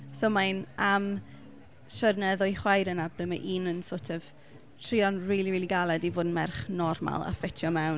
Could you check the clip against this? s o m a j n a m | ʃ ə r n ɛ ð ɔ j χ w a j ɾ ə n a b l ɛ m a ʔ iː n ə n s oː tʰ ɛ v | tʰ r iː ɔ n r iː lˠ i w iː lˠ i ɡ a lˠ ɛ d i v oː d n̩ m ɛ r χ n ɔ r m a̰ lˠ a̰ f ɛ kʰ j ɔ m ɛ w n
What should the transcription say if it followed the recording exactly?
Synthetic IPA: s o m a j n a m | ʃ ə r n ɛ ð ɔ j χ w a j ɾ ə n a b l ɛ m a ʔ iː n ə n s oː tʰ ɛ v | tʰ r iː ɔ n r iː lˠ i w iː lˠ i ɡ a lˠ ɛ d i v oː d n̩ m ɛ r χ n ɔ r m a̰ lˠ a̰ f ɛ tʰ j ɔ m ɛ w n